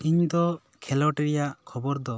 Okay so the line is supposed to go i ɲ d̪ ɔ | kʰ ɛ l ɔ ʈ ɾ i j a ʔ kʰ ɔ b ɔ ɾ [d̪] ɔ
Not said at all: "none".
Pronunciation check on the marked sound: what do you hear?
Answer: d̪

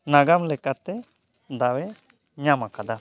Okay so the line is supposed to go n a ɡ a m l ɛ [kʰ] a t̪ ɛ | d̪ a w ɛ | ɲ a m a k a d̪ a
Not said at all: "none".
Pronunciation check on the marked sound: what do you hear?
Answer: k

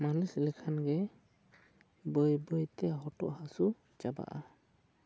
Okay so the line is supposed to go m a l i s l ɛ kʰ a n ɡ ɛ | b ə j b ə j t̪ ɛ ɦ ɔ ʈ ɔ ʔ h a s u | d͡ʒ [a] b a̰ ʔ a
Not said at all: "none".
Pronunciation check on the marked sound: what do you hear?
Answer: a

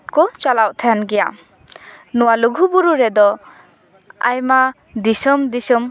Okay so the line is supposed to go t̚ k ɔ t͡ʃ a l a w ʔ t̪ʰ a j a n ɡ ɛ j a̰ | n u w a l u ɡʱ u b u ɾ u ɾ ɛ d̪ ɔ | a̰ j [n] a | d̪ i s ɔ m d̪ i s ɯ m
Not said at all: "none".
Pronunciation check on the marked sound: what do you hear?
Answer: m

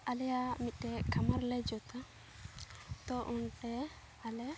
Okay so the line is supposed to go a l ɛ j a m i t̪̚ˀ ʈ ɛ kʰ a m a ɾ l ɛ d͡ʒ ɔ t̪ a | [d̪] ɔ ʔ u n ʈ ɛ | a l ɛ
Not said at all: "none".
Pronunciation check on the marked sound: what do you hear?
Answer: t̪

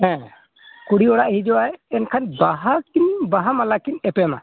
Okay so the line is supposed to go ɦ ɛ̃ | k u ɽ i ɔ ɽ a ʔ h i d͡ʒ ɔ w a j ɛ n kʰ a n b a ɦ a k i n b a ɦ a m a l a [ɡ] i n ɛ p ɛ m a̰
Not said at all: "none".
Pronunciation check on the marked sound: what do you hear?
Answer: k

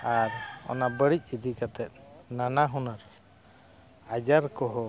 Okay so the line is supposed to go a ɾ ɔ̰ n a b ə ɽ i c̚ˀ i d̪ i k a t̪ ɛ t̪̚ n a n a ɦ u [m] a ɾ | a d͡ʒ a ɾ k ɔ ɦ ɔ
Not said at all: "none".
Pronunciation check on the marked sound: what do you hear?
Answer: n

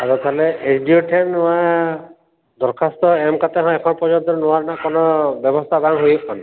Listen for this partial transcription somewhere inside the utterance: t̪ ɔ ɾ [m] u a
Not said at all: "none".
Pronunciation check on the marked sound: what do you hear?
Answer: n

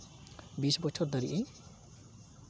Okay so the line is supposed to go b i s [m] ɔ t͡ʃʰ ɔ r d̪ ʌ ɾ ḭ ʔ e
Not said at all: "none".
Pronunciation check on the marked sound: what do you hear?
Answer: b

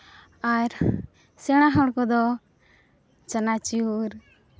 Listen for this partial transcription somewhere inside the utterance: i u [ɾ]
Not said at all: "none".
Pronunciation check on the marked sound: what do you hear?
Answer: ɾ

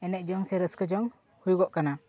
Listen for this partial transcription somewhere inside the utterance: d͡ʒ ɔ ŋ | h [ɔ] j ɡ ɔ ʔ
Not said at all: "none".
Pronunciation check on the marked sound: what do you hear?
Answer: u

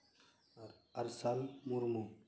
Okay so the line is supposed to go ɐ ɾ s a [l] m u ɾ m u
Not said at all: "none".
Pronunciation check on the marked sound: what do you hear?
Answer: l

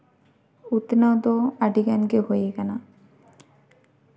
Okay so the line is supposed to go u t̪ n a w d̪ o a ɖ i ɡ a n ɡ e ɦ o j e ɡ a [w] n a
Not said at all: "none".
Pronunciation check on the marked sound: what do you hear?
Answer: none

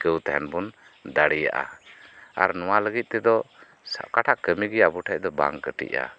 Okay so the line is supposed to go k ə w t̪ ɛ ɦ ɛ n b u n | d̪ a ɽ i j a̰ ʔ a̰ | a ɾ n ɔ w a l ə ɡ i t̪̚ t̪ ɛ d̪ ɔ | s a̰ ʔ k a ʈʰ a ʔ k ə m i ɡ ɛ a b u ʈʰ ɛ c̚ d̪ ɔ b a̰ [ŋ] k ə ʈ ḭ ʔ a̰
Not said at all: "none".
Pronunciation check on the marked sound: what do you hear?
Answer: ŋ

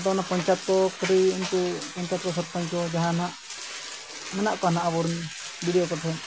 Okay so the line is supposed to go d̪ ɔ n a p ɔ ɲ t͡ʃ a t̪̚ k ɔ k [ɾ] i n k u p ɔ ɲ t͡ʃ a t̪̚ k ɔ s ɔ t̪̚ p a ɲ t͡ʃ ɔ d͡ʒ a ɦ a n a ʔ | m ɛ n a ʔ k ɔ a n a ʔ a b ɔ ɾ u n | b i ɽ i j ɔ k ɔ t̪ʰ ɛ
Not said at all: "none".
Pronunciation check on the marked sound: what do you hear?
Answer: ɾ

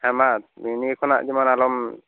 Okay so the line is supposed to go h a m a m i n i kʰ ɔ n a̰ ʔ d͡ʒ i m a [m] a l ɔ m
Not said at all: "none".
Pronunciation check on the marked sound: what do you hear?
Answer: n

